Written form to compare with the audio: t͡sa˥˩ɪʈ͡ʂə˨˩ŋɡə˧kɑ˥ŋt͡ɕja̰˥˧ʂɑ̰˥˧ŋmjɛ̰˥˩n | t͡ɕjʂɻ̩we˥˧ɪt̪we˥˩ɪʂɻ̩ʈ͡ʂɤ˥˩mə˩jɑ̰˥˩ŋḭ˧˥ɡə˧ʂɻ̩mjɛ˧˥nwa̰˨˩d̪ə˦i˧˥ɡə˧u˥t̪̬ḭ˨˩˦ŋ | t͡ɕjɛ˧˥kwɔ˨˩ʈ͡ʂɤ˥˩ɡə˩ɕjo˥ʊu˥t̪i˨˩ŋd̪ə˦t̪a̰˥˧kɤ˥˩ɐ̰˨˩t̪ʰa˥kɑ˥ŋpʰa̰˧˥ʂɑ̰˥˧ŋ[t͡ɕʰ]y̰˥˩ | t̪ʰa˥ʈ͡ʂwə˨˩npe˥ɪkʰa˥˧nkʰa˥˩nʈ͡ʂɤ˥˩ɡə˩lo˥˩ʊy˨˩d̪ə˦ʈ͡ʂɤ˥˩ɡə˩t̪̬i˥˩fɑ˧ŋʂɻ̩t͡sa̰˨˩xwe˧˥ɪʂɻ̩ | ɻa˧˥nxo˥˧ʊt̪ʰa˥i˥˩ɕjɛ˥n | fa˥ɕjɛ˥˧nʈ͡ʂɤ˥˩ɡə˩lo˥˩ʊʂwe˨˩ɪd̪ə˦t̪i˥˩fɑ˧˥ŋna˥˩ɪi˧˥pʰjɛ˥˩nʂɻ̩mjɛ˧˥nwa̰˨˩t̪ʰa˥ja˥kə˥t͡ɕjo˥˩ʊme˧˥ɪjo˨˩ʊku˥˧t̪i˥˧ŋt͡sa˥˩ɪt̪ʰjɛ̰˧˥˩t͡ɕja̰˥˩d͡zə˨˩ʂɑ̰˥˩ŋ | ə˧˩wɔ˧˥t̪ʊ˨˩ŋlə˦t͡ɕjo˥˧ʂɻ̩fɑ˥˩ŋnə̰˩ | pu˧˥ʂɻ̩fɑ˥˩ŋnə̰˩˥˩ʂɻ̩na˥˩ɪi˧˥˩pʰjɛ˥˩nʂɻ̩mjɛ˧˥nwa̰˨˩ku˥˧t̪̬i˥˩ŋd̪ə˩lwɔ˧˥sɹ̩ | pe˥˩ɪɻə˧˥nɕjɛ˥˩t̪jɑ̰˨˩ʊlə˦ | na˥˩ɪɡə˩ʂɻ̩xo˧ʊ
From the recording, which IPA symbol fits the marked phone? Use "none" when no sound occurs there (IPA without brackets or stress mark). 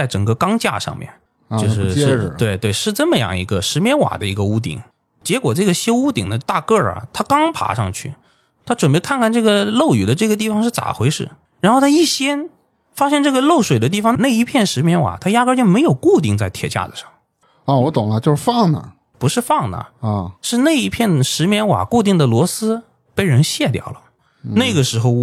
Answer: t͡ɕʰ